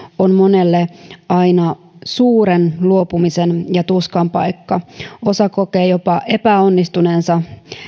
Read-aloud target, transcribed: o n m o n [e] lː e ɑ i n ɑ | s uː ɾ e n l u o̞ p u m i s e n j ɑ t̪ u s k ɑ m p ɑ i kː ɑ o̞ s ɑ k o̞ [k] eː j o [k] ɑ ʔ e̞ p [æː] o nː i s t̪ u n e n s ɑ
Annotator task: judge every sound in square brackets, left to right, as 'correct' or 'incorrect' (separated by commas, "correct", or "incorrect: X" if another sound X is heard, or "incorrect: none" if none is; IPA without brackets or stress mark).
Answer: correct, correct, incorrect: p, incorrect: æ